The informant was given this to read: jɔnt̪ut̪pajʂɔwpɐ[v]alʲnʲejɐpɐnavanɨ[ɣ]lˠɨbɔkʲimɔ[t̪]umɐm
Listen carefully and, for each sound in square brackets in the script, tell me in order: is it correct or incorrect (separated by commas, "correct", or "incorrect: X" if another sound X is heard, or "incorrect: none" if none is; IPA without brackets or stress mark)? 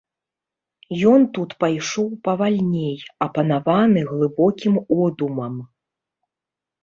correct, correct, incorrect: d̪